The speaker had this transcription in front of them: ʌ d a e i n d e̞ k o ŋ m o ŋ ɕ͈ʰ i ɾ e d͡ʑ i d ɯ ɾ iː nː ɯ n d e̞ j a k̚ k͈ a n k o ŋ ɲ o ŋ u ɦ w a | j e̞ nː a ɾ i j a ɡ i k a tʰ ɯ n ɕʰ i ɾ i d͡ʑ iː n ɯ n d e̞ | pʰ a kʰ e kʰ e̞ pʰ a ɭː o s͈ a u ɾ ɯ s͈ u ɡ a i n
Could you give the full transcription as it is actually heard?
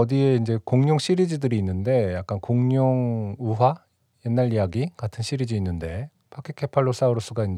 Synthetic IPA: ʌ d i e i n d͡ʑ e̞ k o ŋ ɲ o ŋ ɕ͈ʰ i ɾ i d͡ʑ i d ɯ ɾ iː nː ɯ n d e̞ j a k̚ k͈ a n k o ŋ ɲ o ŋ u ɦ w a | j e̞ nː a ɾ i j a ɡ i k a tʰ ɯ n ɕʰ i ɾ i d͡ʑ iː nː ɯ n d e̞ | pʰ a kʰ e kʰ e̞ pʰ a ɭː o s͈ a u ɾ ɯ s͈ u ɡ a i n